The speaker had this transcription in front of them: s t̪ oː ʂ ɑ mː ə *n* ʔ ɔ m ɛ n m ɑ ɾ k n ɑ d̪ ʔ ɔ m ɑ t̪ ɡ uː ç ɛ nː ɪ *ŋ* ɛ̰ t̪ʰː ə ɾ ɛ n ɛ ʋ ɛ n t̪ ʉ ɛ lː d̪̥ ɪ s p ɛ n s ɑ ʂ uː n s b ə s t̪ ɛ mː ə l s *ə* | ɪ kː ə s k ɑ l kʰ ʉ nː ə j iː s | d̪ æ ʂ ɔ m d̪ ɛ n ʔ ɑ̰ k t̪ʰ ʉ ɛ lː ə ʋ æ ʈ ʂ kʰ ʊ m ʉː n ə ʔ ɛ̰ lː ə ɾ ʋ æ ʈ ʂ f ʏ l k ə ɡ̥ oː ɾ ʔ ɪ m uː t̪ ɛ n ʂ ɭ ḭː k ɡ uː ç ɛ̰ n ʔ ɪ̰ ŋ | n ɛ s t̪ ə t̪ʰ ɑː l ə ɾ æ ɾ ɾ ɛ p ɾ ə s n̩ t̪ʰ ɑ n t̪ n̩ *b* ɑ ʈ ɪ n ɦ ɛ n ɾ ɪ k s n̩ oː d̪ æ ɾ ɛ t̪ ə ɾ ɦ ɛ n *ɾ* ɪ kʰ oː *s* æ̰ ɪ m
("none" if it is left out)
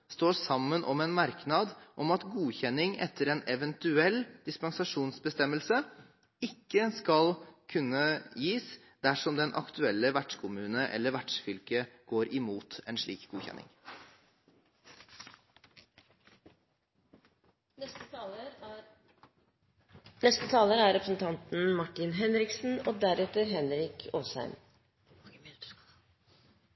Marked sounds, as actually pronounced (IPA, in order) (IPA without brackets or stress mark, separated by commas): n, ŋ, ə, m, ɾ, s